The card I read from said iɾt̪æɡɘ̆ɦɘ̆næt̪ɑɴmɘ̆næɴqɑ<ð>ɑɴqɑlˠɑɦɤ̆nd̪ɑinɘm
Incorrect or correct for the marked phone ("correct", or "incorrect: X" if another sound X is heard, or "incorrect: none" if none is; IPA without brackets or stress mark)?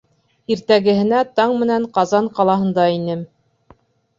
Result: incorrect: z